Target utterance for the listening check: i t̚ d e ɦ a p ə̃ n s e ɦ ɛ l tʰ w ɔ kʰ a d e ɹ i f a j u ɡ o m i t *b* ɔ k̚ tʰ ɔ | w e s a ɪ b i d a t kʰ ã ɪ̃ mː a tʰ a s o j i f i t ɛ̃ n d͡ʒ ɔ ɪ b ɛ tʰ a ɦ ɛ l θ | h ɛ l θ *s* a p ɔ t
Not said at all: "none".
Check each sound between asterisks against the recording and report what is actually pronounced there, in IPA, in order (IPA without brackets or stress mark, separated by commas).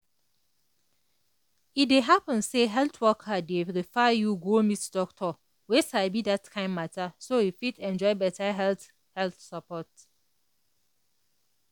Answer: d, s